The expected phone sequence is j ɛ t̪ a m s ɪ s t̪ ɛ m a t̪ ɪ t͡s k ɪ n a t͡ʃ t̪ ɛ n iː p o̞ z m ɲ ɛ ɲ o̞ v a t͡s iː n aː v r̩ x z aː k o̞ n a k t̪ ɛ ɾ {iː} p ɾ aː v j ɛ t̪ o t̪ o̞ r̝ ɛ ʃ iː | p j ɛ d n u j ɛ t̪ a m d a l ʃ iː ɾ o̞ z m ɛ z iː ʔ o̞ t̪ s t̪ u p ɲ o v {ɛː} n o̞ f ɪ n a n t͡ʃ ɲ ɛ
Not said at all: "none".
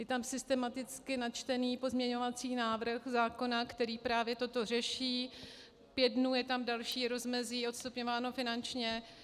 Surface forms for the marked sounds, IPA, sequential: iː, aː

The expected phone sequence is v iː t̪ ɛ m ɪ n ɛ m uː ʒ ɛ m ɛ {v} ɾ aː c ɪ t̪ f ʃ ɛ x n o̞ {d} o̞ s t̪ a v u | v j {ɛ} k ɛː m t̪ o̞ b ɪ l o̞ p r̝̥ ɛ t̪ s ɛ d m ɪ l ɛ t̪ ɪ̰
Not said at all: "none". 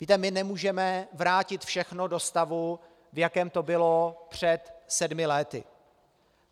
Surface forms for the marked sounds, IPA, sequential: v, d, a

